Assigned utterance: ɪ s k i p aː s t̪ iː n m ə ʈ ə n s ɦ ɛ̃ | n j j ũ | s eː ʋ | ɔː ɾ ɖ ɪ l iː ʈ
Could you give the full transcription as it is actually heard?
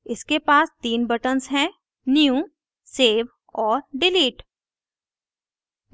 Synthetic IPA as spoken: ɪ s k e p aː s t̪ iː n b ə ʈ ə n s ɦ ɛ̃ | n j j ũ | s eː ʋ | ɔː ɾ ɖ ɪ l iː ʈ